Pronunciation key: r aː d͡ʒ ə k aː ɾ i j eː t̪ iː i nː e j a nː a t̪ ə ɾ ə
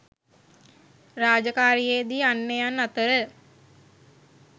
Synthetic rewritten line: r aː d͡ʒ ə k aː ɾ i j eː d̪ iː a nː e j a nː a t̪ ə ɾ ə